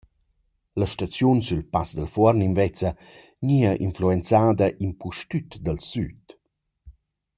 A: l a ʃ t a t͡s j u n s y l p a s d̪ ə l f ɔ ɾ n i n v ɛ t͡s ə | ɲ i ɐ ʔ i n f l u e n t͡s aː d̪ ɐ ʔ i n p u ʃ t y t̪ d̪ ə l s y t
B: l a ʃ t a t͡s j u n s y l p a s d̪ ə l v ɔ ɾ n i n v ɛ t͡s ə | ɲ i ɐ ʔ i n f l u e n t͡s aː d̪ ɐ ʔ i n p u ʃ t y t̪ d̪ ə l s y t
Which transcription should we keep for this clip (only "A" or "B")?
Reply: A